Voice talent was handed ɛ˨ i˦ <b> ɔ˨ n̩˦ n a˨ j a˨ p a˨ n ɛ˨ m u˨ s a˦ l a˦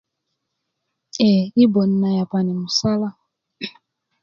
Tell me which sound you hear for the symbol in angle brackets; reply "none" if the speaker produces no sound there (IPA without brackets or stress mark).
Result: b